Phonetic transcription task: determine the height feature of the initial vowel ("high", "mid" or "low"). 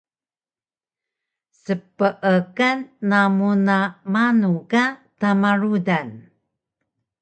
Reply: mid